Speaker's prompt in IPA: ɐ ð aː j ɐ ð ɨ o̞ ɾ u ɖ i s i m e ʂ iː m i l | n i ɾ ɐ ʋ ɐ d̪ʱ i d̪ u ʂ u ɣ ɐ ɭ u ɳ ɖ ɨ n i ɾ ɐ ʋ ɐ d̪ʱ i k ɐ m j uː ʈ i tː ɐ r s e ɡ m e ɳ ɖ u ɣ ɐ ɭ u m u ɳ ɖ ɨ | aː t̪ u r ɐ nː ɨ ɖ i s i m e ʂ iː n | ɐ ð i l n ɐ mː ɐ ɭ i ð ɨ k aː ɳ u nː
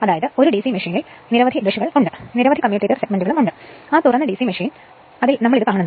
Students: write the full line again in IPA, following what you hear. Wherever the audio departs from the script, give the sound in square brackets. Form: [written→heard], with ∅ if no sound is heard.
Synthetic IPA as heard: ɐ ð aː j ɐ ð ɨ o̞ ɾ u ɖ i s i m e ʂ iː [m→n] i l | n i ɾ ɐ ʋ ɐ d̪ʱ i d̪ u ʂ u ɣ ɐ ɭ u ɳ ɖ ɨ n i ɾ ɐ ʋ ɐ d̪ʱ i k ɐ m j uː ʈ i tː ɐ r s e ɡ m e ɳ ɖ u ɣ ɐ ɭ u m u ɳ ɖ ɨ | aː t̪ u r ɐ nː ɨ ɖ i s i m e ʂ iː n | ɐ ð i l n ɐ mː ɐ ɭ i ð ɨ k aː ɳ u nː